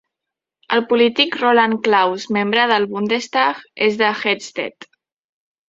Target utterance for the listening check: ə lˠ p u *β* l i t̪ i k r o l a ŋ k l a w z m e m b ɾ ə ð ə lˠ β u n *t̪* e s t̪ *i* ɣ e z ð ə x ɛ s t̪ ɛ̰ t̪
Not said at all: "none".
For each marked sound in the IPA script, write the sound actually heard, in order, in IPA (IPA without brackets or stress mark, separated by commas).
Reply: none, d̪, a